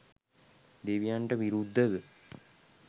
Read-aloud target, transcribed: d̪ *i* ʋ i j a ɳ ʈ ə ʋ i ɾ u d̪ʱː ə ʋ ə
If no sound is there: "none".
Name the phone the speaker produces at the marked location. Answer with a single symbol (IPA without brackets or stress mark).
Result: e